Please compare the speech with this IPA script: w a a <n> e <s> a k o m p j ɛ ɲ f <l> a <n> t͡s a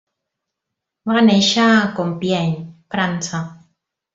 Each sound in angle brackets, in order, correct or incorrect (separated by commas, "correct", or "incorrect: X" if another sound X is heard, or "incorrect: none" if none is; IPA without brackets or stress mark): correct, incorrect: ʃ, incorrect: ɾ, correct